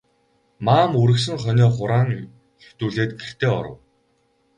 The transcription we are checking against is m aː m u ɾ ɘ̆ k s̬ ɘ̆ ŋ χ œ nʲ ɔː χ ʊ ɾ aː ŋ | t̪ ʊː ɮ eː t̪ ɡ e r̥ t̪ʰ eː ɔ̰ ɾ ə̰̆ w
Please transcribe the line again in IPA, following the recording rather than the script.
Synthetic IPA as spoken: m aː m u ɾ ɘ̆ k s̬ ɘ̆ ŋ χ œ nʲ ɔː χ ʊ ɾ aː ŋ | t̪ uː ɮ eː t̪ ɡ e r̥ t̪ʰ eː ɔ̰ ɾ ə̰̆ w